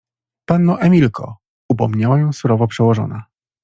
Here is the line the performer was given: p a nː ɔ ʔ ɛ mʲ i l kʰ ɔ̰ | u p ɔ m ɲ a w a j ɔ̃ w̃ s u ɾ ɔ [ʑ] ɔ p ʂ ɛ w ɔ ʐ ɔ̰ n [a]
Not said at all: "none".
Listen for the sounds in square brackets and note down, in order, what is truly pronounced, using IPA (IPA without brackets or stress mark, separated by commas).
v, a